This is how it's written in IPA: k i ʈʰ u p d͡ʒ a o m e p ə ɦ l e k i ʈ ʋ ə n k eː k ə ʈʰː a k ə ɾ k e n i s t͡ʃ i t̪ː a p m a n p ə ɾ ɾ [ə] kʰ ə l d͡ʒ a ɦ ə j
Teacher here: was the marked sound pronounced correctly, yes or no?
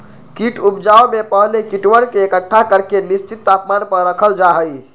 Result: yes